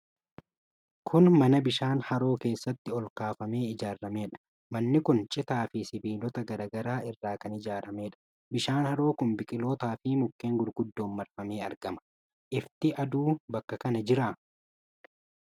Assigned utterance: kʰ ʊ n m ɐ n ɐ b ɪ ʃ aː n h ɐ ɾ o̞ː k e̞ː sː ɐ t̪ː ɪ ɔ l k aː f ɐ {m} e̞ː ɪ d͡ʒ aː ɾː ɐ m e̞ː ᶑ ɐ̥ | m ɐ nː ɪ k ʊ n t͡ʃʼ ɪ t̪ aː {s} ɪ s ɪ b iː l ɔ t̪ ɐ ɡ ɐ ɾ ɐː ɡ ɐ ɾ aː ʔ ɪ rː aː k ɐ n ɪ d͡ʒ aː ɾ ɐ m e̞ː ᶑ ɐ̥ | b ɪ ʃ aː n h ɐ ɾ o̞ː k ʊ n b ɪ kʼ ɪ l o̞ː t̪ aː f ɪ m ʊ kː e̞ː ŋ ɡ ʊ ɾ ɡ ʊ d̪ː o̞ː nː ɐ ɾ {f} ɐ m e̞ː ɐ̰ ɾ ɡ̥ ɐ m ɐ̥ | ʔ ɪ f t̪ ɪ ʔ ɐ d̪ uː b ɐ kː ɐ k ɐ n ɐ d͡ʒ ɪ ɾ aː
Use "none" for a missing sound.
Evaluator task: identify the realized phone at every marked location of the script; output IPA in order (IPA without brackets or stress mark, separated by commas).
m, f, f